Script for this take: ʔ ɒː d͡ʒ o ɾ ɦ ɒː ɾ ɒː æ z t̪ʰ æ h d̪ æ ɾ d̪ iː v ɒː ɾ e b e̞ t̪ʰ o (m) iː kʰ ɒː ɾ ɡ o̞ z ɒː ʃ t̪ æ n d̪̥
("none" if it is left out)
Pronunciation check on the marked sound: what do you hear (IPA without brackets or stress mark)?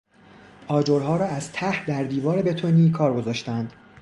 n